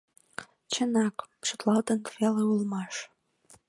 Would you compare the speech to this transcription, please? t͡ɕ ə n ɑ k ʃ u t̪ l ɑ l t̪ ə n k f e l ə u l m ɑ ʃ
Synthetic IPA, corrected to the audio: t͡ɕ ə n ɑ k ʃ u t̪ l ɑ l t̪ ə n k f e l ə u l m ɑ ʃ

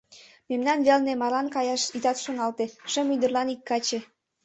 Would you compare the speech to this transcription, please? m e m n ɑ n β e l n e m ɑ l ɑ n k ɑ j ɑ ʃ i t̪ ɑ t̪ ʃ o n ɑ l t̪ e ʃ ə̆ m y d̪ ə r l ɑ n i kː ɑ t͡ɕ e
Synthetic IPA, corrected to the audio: m e m n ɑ n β e l n e m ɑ l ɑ n k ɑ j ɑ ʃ i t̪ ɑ t̪ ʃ o n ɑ l t̪ e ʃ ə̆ m y d̪ ə r l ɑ n i kː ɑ t͡ɕ e

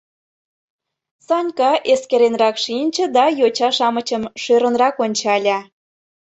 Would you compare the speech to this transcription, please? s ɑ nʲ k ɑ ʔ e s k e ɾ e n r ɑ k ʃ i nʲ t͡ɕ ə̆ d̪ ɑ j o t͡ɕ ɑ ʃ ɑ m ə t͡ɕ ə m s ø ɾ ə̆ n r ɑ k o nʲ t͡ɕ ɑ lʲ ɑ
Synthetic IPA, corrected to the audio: s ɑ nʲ k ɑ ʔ e s k e ɾ e n r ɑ k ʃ i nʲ t͡ɕ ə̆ d̪ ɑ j o t͡ɕ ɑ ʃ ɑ m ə t͡ɕ ə m ʃ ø ɾ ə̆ n r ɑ k o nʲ t͡ɕ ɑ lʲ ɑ

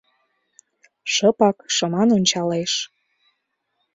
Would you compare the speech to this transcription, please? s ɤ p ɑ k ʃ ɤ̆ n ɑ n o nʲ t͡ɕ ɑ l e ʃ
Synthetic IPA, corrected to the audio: ʃ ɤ p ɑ k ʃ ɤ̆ m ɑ n o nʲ t͡ɕ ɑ l e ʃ

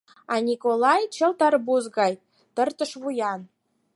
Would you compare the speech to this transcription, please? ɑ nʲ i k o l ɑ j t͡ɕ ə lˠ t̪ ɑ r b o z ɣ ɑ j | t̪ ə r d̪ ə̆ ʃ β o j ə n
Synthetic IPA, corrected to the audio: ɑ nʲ i k o l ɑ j t͡ɕ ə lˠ t̪ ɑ r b u z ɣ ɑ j | t̪ ə r t̪ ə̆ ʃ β u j ɑ n

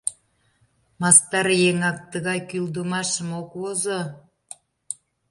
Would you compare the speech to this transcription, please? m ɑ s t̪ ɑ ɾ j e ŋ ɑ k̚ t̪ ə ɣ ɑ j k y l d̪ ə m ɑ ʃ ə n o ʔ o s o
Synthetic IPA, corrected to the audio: m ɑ s t̪ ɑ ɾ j e ŋ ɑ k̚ t̪ ə ɣ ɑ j k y l d̪ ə m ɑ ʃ ə m o k o z o

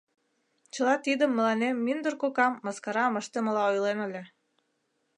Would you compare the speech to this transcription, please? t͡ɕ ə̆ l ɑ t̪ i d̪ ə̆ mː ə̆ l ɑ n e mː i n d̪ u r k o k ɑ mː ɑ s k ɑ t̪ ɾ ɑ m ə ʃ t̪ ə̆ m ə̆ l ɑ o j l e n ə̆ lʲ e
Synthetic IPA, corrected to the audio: t͡ɕ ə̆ l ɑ t̪ i d̪ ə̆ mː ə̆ l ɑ n e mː i n d̪ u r k o k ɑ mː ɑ s k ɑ ɾ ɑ m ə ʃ t̪ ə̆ m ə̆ l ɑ o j l e n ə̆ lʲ e

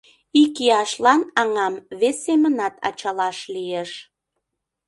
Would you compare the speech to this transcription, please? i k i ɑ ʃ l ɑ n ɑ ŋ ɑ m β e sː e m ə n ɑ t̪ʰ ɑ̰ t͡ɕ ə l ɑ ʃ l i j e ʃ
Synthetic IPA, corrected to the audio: i k i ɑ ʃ l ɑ n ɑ ŋ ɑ m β e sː e m ə n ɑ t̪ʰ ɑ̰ t͡ɕ ɑ l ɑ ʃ l i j e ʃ

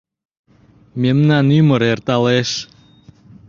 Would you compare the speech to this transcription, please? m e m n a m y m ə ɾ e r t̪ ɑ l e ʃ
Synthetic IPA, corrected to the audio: m e m n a n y m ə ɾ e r t̪ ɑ l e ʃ

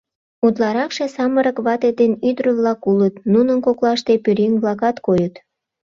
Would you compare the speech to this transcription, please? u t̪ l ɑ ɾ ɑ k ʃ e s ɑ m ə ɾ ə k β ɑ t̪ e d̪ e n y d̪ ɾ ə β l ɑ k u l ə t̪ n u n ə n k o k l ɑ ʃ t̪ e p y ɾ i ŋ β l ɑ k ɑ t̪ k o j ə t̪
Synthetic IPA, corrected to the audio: u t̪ l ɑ ɾ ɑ k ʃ e s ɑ m ə ɾ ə k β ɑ t̪ e d̪ e n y d̪ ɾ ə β l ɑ k u l ə t̪ n u n ə n k o k l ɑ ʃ t̪ e p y ɾ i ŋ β l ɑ k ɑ t̪ k o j ə t̪

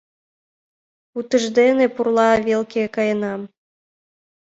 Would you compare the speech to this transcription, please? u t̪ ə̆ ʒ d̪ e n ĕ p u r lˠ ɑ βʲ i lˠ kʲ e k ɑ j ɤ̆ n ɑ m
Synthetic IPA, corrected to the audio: u t̪ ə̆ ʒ d̪ e n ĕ p u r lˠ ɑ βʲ e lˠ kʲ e k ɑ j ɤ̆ n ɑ m

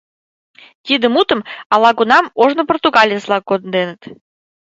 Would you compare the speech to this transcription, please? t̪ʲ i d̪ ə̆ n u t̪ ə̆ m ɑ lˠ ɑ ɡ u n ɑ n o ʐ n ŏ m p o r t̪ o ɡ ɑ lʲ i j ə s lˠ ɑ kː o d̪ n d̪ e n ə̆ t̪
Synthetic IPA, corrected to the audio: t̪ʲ i d̪ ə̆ m u t̪ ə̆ m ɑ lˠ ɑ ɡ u n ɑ m o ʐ n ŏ p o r t̪ u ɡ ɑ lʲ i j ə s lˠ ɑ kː o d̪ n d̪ e n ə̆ t̪

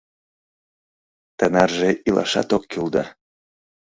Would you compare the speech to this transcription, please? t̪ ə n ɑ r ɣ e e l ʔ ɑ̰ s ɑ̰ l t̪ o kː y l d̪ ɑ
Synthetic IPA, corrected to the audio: t̪ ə n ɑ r ʒ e i l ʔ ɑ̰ ʃ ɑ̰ t̪ o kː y l d̪ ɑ

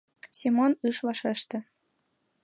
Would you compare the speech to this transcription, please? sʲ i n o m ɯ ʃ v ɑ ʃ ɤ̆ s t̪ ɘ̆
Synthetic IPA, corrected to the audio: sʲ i m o n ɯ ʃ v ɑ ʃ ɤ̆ ʃ t̪ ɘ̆

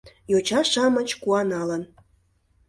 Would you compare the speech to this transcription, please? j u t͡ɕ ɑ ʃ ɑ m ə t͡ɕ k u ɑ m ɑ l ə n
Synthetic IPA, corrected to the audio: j o t͡ɕ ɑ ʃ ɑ m ə t͡ɕ k u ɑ n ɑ l ə n

